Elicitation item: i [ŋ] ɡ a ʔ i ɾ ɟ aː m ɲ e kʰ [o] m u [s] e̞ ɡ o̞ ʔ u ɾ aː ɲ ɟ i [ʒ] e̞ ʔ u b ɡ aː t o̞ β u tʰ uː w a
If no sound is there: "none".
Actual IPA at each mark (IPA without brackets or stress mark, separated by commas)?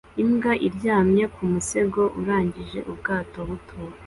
m, u, s, ʒ